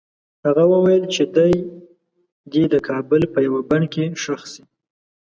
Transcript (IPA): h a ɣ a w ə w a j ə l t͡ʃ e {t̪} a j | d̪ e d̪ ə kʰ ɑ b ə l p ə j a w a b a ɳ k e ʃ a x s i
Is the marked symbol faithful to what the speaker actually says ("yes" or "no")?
no